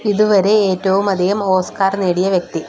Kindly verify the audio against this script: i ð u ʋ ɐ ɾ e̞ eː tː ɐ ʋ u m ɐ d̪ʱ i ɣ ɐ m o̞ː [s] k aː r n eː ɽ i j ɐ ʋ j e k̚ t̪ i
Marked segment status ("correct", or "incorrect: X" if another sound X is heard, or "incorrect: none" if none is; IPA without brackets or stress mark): correct